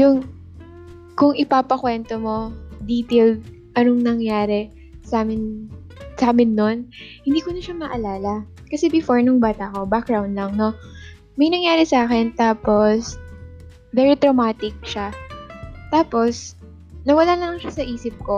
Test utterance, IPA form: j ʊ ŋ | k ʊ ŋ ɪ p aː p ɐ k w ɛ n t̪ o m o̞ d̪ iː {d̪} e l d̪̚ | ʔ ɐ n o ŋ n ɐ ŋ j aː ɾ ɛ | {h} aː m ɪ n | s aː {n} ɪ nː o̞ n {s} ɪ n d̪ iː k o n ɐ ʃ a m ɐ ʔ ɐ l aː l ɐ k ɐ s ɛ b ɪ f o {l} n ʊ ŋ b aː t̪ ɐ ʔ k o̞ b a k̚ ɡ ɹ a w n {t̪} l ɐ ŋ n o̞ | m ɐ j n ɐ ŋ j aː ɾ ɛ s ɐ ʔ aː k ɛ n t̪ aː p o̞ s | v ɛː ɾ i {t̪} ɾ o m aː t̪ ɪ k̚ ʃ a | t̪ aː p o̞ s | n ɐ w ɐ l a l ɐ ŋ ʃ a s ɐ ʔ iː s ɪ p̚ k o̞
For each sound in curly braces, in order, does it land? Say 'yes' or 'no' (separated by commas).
no, no, no, no, no, no, yes